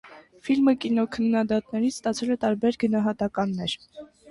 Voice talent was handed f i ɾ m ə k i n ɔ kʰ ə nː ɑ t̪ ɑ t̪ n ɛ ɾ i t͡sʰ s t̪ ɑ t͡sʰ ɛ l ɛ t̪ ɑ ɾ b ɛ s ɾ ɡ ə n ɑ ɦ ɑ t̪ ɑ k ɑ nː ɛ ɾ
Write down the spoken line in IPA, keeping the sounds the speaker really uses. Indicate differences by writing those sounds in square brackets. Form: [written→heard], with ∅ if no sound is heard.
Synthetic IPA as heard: f i [ɾ→l] m ə k i n ɔ kʰ ə nː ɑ [t̪→d̪] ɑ t̪ n ɛ ɾ i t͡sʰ s t̪ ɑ t͡sʰ ɛ l ɛ t̪ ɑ ɾ b ɛ [s→∅] ɾ ɡ ə n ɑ ɦ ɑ t̪ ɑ k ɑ nː ɛ ɾ